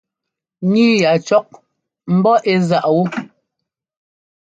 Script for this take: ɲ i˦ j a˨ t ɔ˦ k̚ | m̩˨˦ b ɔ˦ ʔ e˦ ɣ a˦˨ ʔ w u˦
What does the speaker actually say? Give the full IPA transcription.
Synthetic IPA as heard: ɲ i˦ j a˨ t͡ʃ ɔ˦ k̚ | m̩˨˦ b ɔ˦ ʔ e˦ z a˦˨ ʔ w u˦